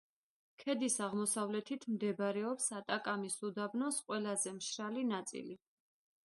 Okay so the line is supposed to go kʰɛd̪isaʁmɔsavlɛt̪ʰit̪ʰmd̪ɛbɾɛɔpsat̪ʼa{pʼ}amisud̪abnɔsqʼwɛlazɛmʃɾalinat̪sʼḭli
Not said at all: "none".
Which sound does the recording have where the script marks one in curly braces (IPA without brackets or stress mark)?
kʼ